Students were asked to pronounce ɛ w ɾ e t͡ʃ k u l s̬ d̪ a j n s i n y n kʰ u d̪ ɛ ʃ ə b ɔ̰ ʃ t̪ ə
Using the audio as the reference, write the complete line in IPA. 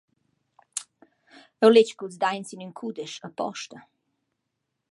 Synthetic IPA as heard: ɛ w l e t͡ʃ k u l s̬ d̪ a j n s i n y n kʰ u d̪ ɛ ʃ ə p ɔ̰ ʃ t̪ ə